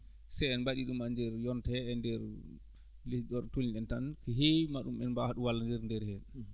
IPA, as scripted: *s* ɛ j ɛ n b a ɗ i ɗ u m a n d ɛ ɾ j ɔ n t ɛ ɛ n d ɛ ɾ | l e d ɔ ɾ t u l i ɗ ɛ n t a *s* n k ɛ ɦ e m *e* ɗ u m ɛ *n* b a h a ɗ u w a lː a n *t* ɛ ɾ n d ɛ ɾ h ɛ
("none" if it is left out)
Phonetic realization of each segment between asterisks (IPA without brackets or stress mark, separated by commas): s, none, a, n, d